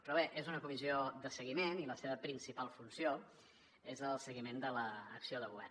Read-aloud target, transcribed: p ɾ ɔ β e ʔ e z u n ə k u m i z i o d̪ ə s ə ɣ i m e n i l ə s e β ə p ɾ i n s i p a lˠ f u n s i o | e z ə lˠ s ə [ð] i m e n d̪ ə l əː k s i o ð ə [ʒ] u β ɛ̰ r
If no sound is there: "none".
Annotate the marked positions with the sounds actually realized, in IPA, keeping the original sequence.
ɣ, ɣ

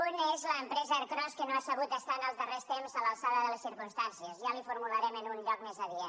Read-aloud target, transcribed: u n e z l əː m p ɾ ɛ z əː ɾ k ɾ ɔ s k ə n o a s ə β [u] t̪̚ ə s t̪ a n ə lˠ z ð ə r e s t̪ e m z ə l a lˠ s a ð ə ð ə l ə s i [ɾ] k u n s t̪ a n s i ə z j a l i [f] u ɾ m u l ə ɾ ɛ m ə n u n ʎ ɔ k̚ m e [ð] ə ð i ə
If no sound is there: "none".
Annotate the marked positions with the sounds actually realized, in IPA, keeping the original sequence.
u, ɾ, f, z

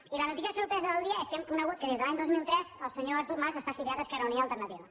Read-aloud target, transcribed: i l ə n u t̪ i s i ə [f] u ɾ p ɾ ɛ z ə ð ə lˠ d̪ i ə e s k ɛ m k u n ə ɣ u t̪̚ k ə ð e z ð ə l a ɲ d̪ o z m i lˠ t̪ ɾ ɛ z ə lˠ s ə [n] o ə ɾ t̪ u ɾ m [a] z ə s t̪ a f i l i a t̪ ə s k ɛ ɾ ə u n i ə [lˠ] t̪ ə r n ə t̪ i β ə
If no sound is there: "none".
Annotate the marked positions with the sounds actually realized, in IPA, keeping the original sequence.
s, ɲ, a, lˠ

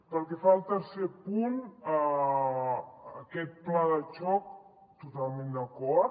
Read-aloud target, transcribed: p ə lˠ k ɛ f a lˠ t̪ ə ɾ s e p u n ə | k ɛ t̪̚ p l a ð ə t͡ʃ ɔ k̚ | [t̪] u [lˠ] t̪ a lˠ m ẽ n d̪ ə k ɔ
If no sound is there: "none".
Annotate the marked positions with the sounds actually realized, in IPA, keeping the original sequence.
t̪, none

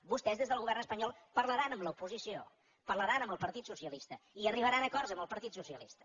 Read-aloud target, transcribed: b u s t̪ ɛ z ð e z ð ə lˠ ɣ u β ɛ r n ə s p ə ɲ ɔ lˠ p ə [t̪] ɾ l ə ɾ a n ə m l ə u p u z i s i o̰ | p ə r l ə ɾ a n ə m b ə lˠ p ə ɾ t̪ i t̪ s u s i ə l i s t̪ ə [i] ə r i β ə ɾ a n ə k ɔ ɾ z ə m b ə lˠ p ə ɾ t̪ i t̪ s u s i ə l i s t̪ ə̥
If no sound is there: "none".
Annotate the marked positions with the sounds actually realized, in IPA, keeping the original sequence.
none, i

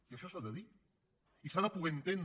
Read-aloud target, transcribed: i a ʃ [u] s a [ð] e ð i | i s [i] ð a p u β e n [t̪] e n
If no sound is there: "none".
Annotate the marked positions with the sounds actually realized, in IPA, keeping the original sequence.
ɔ, ð, a, t̪

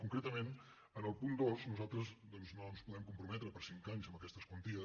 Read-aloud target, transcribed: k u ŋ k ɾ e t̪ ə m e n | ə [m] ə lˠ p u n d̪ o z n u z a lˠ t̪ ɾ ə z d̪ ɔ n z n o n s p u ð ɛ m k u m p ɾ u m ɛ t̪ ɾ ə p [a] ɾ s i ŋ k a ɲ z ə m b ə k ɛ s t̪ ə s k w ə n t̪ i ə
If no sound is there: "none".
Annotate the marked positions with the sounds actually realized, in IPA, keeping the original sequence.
n, ə

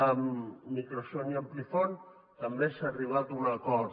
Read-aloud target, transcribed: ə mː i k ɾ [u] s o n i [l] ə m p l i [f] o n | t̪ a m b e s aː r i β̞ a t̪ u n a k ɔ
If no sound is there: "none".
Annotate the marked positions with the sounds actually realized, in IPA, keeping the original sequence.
o, none, f

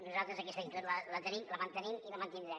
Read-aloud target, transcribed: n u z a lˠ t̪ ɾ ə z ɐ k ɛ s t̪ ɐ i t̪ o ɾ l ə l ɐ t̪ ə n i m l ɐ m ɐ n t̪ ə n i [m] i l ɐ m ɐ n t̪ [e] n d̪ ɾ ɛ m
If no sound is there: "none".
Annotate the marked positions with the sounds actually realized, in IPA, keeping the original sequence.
m, i

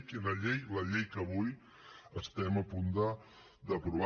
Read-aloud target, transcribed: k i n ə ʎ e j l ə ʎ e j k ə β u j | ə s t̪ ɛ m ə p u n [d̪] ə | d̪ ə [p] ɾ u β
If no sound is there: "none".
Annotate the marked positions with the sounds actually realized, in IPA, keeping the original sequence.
d̪, p

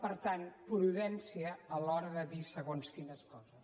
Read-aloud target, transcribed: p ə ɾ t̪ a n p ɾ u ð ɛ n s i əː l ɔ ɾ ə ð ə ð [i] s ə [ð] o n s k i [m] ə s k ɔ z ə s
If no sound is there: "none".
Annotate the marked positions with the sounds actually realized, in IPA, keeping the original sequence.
i, ɣ, n

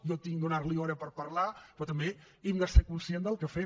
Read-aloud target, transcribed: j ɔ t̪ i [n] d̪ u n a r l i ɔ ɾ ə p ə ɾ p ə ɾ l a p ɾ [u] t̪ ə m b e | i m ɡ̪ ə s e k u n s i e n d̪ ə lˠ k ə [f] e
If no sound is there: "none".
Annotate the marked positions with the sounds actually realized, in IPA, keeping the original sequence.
ŋ, ɔ, f

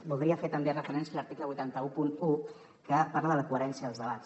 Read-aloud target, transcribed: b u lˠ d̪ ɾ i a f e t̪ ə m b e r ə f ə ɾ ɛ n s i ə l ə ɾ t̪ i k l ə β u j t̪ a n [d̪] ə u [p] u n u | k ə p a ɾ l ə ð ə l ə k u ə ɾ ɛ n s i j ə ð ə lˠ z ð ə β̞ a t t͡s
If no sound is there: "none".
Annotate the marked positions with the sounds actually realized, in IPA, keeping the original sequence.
t̪, p

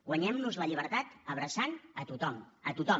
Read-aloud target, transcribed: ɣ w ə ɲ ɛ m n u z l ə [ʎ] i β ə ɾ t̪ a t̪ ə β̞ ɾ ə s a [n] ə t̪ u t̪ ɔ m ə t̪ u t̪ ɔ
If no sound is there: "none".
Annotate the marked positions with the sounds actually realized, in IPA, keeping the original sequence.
ʎ, n

